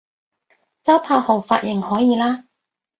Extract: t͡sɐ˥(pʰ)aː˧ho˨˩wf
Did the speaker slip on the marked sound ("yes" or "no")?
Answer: no